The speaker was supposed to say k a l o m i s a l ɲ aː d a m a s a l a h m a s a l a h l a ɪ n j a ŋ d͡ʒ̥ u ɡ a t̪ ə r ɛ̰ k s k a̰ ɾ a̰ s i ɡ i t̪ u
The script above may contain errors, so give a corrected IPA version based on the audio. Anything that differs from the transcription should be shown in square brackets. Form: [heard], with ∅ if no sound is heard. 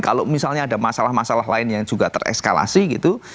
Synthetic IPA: k a l o m i s a l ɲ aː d a m a s a l a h m a s a l a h l a ɪ n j a ŋ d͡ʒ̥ u ɡ a t̪ ə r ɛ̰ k s k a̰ [l] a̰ s i ɡ i t̪ u